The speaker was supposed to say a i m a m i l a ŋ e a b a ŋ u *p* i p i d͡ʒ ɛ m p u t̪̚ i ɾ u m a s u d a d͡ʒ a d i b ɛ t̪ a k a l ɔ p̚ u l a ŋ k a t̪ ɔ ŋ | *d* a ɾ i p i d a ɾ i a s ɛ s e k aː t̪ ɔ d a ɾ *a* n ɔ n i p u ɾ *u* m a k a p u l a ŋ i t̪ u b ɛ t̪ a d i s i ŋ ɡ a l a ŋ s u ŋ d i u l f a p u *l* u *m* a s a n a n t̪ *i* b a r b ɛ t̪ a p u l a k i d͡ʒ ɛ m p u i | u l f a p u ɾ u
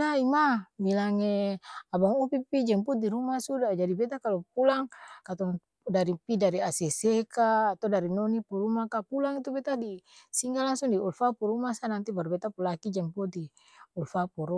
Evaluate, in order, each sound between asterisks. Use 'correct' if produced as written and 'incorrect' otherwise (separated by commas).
correct, correct, incorrect, correct, incorrect, correct, correct